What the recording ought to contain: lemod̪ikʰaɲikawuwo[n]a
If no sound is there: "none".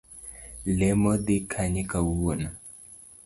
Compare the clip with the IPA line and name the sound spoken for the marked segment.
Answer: n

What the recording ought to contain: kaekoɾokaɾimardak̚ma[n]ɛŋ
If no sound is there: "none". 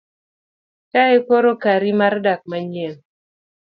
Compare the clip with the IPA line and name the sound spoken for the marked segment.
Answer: ɲ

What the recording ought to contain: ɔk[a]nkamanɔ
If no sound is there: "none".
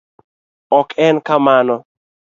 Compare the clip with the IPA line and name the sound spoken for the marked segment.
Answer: ɛ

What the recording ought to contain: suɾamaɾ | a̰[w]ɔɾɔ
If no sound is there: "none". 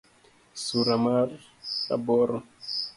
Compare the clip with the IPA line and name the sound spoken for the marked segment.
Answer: b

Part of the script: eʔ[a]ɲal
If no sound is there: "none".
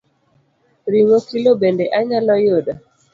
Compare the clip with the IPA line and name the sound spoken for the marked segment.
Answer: a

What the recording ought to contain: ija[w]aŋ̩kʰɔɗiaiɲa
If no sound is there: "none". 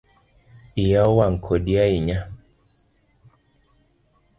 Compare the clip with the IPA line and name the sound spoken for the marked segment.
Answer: w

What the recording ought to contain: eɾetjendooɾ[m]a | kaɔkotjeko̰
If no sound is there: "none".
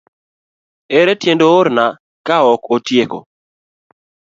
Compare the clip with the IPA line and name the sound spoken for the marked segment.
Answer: n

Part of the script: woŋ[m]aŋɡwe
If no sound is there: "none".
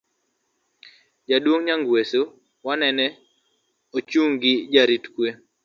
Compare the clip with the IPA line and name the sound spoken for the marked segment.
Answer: ɲ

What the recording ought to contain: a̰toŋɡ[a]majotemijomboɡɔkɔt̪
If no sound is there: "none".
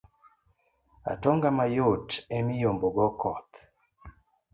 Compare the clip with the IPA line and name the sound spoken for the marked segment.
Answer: a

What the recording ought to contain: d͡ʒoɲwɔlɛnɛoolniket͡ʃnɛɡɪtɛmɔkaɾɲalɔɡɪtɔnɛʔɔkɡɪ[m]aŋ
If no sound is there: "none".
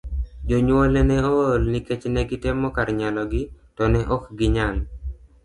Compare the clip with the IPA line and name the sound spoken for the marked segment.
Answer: ɲ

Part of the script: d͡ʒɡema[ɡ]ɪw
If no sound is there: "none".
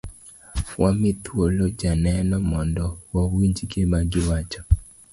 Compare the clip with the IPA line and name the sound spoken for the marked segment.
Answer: ɡ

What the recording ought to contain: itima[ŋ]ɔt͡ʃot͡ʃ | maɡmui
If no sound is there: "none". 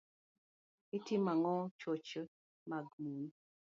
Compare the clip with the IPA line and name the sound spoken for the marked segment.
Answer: ŋ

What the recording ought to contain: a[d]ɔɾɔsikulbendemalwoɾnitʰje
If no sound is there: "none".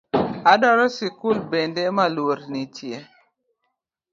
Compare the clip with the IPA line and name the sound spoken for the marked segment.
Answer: d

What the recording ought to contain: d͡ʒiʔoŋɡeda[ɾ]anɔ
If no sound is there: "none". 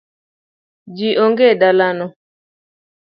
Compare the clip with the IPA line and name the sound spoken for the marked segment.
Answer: l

